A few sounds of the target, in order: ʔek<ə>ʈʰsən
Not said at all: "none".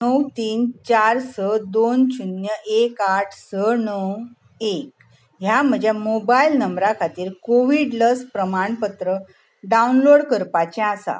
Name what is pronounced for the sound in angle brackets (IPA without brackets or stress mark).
a